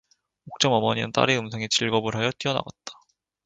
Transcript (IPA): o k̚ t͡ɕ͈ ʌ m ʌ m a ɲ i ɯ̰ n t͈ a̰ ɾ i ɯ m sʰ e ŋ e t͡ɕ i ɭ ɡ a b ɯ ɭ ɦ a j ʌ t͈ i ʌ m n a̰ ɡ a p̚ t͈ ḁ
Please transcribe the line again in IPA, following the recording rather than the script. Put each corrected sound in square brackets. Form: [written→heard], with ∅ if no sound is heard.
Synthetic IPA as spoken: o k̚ t͡ɕ͈ ʌ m ʌ m [a→ʌ] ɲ i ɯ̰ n t͈ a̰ ɾ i ɯ m sʰ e ŋ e t͡ɕ i ɭ ɡ [a→ʌ] b ɯ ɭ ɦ a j ʌ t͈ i ʌ [m→∅] n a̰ ɡ a [p̚→t̚] t͈ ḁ